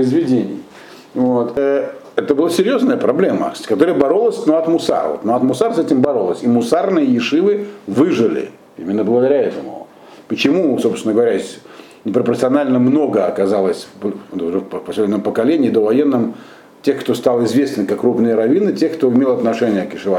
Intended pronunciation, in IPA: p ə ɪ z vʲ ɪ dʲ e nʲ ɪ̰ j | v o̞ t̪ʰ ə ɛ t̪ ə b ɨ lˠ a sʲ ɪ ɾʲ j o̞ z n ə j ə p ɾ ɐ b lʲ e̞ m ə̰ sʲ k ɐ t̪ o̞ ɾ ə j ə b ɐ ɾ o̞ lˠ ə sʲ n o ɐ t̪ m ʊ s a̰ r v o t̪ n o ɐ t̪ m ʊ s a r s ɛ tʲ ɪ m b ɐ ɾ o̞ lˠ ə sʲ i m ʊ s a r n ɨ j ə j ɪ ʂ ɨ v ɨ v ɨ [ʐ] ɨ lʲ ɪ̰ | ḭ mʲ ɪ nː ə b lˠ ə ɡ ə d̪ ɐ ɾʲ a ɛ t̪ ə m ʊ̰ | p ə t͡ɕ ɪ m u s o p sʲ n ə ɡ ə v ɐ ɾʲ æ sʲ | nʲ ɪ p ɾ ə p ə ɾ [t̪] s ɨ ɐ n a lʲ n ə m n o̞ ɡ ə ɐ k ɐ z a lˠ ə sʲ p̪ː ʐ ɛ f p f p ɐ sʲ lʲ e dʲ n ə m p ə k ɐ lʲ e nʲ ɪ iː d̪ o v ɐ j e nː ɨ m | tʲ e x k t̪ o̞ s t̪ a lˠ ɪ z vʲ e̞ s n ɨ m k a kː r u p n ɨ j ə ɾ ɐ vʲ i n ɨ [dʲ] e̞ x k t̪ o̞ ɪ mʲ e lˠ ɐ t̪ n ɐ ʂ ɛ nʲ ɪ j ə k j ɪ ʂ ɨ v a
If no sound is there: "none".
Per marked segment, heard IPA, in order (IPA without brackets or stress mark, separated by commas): ʐ, t̪, tʲ